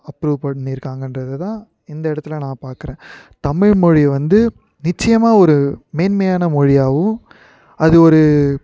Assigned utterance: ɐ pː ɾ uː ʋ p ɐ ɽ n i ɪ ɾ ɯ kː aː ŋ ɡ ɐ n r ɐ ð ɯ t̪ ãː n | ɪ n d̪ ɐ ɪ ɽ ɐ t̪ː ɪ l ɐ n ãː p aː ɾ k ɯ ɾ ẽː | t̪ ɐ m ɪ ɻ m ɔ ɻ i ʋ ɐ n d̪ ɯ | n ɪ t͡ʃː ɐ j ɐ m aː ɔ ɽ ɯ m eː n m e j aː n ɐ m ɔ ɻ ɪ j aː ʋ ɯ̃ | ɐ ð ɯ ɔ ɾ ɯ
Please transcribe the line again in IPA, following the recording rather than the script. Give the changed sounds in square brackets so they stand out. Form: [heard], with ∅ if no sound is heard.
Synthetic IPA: ɐ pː ɾ uː ʋ p ɐ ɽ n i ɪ ɾ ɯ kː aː ŋ ɡ ɐ n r ɐ ð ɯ t̪ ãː [∅] | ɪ n d̪ ɐ ɪ ɽ ɐ t̪ː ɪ l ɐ n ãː p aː ɾ k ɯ ɾ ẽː | t̪ ɐ m ɪ ɻ m ɔ ɻ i ʋ ɐ n d̪ ɯ | n ɪ t͡ʃː ɐ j ɐ m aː ɔ [ɾ] ɯ m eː n m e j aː n ɐ m ɔ ɻ ɪ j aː ʋ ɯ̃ | ɐ ð ɯ ɔ ɾ ɯ